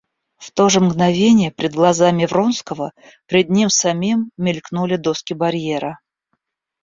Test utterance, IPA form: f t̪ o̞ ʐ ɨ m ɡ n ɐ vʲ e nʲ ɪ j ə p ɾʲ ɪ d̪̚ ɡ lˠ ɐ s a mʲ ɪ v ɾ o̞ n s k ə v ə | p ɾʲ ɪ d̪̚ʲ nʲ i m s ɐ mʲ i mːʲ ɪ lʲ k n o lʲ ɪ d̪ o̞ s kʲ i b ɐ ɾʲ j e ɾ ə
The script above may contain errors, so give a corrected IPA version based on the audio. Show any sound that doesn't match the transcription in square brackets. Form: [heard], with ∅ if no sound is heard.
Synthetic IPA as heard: f t̪ o̞ ʐ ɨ m ɡ n ɐ vʲ e nʲ ɪ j ə p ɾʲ ɪ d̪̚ ɡ lˠ ɐ [z] a mʲ ɪ v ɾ o̞ n s k ə v ə | p ɾʲ ɪ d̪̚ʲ nʲ i m s ɐ mʲ i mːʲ ɪ lʲ k n [u] lʲ ɪ d̪ o̞ s kʲ [ɪ] b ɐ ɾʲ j e ɾ ə